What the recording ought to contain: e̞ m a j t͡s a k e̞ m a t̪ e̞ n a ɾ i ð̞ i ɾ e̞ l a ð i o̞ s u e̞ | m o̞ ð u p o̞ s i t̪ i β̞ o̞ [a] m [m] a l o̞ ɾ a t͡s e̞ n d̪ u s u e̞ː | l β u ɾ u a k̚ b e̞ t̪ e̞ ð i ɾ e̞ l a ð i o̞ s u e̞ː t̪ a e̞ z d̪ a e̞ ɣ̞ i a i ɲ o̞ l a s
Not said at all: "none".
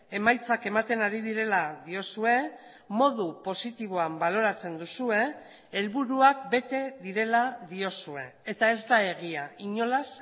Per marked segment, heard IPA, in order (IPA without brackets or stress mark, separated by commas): a, b